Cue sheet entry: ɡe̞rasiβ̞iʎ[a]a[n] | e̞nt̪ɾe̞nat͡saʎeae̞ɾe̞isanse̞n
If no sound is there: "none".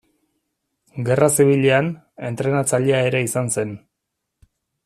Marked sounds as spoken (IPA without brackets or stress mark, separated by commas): e, n